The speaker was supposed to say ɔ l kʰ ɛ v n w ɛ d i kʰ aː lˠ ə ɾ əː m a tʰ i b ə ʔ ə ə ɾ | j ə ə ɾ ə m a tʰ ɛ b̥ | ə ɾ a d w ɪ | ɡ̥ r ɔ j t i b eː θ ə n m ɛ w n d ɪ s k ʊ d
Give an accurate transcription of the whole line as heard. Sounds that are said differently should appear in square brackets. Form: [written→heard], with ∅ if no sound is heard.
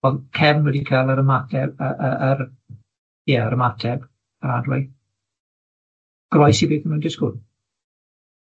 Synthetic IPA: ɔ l kʰ ɛ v n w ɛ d i kʰ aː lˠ ə ɾ [əː→ə] m a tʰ [i→ɛ] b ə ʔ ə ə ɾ | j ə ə ɾ ə m a tʰ ɛ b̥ | ə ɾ a d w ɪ | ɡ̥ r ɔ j [t→s] i b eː θ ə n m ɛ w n d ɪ s k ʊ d